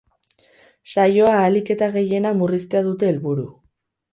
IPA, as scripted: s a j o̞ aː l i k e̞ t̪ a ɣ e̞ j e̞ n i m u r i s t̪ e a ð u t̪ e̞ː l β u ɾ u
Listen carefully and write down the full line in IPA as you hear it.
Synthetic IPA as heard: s a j o̞ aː l i k e̞ t̪ a ɣ e̞ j e̞ n a m u r i s t̪ e a ð u t̪ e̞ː l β u ɾ u

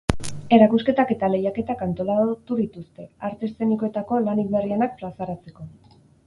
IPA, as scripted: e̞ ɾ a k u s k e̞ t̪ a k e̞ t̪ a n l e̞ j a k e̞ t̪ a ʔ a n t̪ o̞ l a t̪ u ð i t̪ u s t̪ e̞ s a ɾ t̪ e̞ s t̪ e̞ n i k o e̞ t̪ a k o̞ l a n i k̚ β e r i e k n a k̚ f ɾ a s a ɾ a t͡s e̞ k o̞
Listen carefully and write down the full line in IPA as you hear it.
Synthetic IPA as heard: e̞ ɾ a k u s k e̞ t̪ a k e̞ t̪ a l e̞ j a k e̞ t̪ a k a n t̪ o̞ l a t̪ u ð i t̪ u s t̪ e̞ a ɾ t̪ e̞ s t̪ e̞ n i k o e̞ t̪ a k o̞ l a n i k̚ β e r i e n a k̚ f ɾ a s a ɾ a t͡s e̞ k o̞

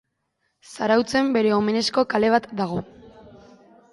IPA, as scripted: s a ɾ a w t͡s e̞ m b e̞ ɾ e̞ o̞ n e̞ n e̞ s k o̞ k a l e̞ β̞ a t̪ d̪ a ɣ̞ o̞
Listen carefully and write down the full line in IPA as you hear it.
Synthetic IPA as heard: s a ɾ a w t͡s e̞ m b e̞ ɾ e̞ o̞ m e̞ n e̞ s k o̞ k a l e̞ β̞ a t̪ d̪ a ɣ̞ o̞

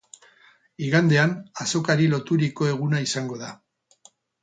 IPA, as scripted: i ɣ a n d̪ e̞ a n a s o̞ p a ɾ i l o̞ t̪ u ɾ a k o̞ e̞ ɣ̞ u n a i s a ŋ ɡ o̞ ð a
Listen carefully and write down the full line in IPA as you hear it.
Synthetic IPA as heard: i ɣ a n d̪ e̞ a n a s o̞ k a ɾ i l o̞ t̪ u ɾ i k o̞ e̞ ɣ̞ u n a i s a ŋ ɡ o̞ ð a

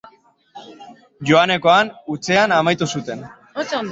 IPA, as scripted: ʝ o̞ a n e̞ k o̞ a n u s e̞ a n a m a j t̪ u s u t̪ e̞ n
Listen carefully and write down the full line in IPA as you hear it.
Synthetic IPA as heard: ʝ o̞ a n e̞ k o̞ a n u t͡s e̞ a n a m a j t̪ u s u t̪ e̞ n

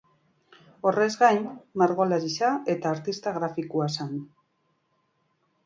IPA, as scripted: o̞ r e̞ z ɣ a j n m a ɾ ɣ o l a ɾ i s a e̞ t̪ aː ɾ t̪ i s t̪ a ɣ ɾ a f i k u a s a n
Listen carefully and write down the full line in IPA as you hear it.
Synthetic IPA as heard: o̞ r e̞ z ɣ a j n m a ɾ ɣ o l a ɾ i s a e̞ t̪ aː ɾ t̪ i s t̪ a ɣ ɾ a f i k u a s a n

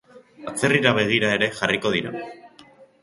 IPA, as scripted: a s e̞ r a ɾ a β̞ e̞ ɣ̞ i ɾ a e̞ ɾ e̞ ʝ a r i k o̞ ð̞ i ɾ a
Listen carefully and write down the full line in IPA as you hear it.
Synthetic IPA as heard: a t͡s e̞ r i ɾ a β̞ e̞ ɣ̞ i ɾ a e̞ ɾ e̞ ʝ a r i k o̞ ð̞ i ɾ a

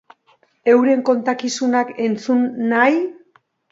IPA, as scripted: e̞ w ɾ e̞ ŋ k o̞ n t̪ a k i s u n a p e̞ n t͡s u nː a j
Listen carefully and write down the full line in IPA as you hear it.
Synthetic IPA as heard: e̞ w ɾ e̞ ŋ k o̞ n t̪ a k i s u n a k e̞ n t͡s u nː a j

